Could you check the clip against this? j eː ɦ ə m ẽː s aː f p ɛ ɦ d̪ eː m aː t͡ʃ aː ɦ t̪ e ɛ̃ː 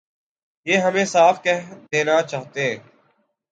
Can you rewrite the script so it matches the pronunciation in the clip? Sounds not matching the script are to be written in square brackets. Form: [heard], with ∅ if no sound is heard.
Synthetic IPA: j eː ɦ ə m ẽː s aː f [k] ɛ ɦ d̪ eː [n] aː t͡ʃ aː ɦ t̪ e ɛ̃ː